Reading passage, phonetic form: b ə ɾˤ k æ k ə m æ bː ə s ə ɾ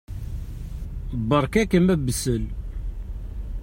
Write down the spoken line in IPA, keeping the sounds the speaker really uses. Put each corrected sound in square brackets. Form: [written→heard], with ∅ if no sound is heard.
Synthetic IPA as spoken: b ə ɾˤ k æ k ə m æ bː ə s ə [ɾ→l]